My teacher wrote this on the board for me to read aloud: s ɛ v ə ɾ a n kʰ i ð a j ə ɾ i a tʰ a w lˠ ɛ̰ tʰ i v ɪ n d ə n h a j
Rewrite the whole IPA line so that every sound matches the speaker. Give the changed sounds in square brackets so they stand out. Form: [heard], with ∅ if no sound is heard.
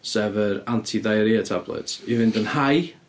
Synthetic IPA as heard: s ɛ v ə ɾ a n [tʰ] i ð a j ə ɾ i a tʰ a [b] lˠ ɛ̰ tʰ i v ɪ n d ə n h a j